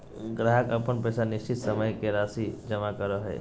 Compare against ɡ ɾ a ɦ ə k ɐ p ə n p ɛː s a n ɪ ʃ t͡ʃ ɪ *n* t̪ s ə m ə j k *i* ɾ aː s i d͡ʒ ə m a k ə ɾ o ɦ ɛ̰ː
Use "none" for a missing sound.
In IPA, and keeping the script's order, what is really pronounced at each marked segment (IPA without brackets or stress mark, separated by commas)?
none, e